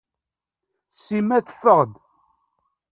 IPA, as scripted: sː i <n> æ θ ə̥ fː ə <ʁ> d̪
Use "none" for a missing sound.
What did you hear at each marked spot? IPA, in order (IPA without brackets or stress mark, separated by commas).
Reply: m, ʁ